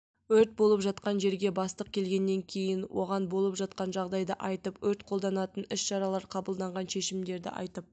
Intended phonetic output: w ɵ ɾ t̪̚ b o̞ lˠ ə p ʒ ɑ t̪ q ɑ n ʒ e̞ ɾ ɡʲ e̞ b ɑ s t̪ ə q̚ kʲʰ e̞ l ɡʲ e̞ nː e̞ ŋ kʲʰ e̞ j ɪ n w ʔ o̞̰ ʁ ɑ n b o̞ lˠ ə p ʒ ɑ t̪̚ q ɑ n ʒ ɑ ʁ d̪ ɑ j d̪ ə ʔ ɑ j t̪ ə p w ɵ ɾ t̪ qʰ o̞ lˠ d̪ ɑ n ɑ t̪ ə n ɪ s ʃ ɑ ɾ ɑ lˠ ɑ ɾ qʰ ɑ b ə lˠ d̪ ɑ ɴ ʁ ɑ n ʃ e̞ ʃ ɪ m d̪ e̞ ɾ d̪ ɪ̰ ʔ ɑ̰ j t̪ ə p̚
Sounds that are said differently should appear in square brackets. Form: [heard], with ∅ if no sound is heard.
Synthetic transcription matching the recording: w ɵ ɾ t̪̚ b o̞ lˠ ə p ʒ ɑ t̪ q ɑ n ʒ e̞ ɾ ɡʲ e̞ b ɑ s t̪ ə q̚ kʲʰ e̞ l ɡʲ e̞ nː e̞ ŋ kʲʰ e̞ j ɪ n w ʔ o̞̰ ʁ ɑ n b o̞ lˠ ə p ʒ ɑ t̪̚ q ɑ n ʒ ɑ ʁ d̪ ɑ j d̪ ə ʔ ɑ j t̪ ə p w ɵ ɾ t̪ qʰ o̞ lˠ d̪ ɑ n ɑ t̪ ə n ɪ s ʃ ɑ ɾ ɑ lˠ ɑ ɾ qʰ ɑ b ə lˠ d̪ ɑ ɴ ʁ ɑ n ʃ e̞ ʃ ɪ m d̪ e̞ ɾ d̪ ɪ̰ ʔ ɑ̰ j t̪ ə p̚